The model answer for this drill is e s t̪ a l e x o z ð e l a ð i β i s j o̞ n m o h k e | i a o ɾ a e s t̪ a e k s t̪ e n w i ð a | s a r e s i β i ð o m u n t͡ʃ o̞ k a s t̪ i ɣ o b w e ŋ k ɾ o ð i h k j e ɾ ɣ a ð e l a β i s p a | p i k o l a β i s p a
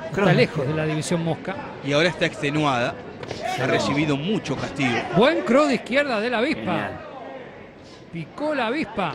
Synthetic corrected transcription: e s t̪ a l e x o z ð e l a ð i β i s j o̞ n m o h k a | i a o ɾ a e s t̪ a e k s t̪ e n w a ð a | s a r e s i β i ð o m u t͡ʃ o̞ k a s t̪ i ɣ o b w e ŋ k ɾ o ð i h k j e ɾ ð a ð e l a β i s p a | p i k o l a β i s p a